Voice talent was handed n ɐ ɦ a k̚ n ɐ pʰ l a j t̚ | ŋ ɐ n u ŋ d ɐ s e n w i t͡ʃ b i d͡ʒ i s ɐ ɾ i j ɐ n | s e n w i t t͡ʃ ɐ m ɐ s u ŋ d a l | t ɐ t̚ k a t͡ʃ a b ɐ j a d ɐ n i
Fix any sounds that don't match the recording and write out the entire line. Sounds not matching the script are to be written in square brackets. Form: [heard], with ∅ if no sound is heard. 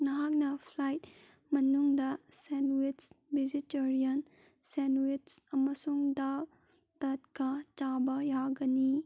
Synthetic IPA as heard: n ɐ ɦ a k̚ n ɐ pʰ l a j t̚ | [m] ɐ n u ŋ d ɐ s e n w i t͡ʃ b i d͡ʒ i [t] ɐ ɾ i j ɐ n | s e n w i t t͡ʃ ɐ m ɐ s u ŋ d a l | t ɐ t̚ k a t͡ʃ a b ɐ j a [ɡ] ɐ n i

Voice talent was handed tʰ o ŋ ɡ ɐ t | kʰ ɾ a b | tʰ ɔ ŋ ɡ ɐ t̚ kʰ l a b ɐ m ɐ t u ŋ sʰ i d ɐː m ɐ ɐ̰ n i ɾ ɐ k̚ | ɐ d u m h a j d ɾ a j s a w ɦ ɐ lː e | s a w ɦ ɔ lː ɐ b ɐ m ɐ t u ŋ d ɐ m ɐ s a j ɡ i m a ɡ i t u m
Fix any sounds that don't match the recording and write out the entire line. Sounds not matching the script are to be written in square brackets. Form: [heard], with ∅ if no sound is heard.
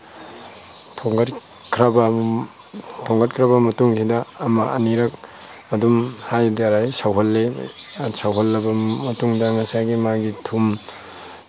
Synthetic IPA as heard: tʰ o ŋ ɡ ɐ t | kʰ ɾ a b | tʰ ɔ ŋ ɡ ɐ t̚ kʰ [ɾ] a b ɐ m ɐ t u ŋ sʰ i d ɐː m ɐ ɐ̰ n i ɾ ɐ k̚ | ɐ d u m h a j d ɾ a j s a w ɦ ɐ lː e | s a w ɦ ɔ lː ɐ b ɐ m ɐ t u ŋ d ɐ [ŋ] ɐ s a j ɡ i m a ɡ i [tʰ] u m

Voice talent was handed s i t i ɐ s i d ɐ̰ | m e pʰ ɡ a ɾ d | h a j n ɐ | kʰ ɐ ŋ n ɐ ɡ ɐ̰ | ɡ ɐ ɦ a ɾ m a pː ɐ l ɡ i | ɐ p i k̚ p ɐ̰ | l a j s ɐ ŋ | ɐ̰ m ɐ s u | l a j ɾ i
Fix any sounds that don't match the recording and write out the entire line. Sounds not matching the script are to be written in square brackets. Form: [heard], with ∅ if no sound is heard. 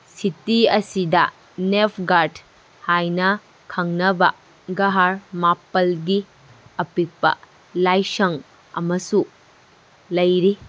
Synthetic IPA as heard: s i t i ɐ s i d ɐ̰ | [n] e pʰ ɡ a ɾ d | h a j n ɐ | kʰ ɐ ŋ n ɐ [b] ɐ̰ | ɡ ɐ ɦ a ɾ m a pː ɐ l ɡ i | ɐ p i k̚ p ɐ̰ | l a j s ɐ ŋ | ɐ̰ m ɐ s u | l [ɐ] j ɾ i

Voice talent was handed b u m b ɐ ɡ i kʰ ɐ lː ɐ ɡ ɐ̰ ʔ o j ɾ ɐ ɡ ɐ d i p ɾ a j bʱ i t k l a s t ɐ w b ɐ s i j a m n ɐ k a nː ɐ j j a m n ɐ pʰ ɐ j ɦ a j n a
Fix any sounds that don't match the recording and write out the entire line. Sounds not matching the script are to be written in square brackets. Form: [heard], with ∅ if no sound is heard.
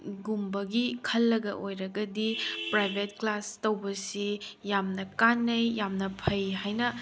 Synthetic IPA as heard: [ɡ] u m b ɐ ɡ i kʰ ɐ lː ɐ ɡ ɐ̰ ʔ o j ɾ ɐ ɡ ɐ d i p ɾ a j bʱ [e] t k l a s t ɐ w b ɐ s i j a m n ɐ k a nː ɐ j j a m n ɐ pʰ ɐ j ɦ a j n [ɐ]

